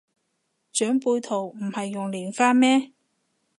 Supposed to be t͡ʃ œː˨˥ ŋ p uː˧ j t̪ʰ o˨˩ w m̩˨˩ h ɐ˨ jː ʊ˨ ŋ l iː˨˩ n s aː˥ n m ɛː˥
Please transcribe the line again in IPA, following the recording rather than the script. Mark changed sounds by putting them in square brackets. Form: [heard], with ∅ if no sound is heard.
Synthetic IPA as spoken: t͡ʃ œː˨˥ ŋ p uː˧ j t̪ʰ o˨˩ w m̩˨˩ h ɐ˨ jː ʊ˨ ŋ l iː˨˩ n [f] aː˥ n m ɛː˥